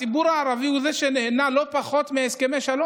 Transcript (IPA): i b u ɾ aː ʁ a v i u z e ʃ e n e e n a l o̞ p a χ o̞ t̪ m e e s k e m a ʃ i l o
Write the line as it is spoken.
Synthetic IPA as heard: i b u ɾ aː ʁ a v i u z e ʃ e n e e n a l o̞ p a χ o̞ t̪ m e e s k e m e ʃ a l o